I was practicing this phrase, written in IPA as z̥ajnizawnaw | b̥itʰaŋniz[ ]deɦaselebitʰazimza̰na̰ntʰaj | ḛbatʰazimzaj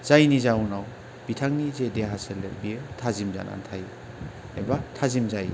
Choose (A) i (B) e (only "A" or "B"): B